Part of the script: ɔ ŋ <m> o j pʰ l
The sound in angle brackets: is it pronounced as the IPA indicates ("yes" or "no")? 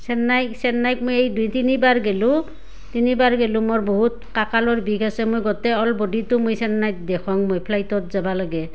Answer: yes